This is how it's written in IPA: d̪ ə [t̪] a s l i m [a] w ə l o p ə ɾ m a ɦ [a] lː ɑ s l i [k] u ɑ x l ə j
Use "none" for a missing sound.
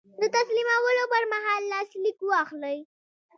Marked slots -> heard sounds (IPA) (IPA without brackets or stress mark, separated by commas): t̪, a, ɑ, k